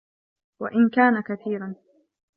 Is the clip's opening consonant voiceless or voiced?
voiced